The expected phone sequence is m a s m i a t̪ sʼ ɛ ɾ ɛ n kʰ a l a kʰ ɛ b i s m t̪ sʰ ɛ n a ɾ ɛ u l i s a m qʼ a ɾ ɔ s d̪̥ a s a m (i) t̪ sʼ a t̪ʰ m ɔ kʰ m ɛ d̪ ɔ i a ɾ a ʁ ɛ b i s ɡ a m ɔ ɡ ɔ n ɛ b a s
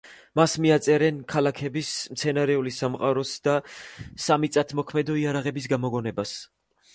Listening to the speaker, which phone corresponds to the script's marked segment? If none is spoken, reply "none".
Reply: i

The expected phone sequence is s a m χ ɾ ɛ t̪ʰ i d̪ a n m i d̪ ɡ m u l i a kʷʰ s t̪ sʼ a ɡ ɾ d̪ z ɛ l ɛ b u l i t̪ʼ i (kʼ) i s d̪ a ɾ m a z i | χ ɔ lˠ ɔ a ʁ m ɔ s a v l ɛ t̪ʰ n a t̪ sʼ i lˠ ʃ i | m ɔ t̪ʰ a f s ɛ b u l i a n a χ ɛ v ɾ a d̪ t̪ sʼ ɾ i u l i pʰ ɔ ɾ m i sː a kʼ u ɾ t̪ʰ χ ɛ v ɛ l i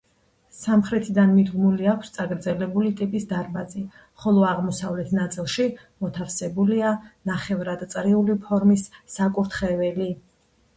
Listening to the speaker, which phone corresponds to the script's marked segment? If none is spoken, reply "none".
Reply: pʼ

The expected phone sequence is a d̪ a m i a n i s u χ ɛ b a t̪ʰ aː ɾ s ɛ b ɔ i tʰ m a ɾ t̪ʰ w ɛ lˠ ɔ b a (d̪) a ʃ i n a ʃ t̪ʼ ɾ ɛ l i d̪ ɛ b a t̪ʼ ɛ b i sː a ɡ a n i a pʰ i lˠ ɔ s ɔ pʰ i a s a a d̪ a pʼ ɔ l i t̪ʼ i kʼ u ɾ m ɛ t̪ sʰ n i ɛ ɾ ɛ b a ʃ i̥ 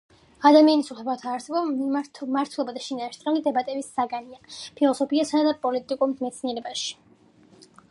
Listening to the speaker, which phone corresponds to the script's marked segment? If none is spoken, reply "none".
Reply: d̪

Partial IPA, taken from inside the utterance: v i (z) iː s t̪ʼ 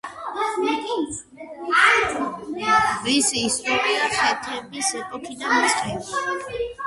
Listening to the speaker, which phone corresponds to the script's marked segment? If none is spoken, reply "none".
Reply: s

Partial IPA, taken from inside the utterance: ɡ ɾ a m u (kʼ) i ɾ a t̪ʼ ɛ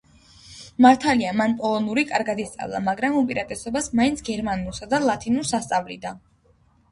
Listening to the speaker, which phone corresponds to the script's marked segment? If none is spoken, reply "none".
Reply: pʼ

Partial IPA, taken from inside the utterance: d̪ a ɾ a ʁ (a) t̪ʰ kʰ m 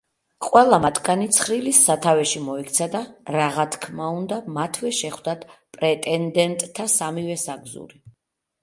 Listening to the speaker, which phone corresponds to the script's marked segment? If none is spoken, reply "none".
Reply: a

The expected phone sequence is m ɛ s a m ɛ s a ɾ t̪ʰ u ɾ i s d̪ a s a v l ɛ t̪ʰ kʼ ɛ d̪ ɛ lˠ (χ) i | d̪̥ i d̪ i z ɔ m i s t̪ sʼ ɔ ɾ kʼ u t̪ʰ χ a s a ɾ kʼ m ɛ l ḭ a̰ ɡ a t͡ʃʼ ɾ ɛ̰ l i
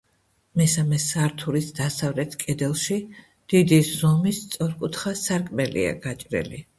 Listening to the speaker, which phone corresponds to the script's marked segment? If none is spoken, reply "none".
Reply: ʃ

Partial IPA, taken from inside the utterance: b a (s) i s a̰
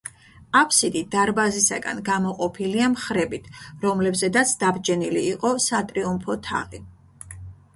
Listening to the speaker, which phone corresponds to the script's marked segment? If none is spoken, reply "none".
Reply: z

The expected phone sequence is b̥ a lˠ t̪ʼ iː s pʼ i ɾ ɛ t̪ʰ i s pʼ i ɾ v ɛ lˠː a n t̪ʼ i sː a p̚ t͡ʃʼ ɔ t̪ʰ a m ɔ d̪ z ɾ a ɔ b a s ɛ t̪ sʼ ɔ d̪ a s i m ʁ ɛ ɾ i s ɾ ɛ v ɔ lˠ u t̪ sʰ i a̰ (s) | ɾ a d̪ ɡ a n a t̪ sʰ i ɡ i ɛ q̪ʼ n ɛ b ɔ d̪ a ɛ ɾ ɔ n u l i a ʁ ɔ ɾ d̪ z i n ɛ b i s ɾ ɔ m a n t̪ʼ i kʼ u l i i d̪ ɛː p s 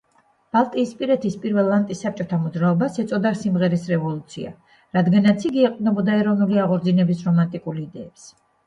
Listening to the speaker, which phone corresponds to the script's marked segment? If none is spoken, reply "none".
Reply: none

